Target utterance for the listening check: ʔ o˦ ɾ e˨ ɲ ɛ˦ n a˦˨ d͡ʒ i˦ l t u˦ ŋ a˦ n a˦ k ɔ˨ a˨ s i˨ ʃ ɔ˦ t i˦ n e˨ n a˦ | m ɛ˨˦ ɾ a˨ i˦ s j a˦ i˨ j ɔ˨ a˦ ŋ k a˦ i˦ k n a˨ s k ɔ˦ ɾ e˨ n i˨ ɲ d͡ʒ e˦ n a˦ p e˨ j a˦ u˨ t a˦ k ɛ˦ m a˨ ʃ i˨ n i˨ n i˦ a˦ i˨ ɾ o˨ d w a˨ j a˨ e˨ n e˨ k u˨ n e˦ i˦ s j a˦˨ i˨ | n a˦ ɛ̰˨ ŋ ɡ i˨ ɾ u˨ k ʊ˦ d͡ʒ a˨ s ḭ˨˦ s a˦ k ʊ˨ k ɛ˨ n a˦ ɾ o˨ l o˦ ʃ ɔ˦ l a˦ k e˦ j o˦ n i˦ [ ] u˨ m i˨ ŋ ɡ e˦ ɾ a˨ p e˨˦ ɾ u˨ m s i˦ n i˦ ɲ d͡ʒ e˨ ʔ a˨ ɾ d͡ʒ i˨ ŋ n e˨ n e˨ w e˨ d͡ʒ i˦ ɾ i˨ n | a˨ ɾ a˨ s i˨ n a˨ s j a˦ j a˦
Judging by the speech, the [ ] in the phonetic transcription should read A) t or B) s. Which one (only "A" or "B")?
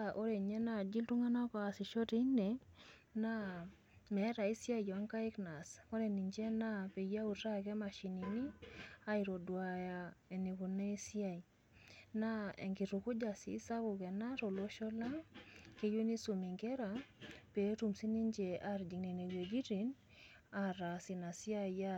B